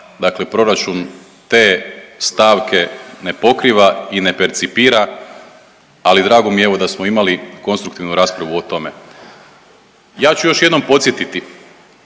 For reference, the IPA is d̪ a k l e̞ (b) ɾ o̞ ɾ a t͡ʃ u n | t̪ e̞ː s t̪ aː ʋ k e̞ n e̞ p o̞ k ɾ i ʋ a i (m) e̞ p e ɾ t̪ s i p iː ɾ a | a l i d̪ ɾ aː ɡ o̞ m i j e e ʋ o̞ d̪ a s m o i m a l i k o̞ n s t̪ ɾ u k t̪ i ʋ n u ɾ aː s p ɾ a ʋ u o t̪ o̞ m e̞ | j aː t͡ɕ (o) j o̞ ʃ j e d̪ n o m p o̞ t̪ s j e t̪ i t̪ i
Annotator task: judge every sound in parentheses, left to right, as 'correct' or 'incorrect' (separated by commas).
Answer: incorrect, incorrect, incorrect